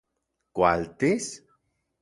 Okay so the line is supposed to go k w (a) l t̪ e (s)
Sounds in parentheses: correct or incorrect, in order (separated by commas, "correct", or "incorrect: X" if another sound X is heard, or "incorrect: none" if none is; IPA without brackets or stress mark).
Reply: correct, correct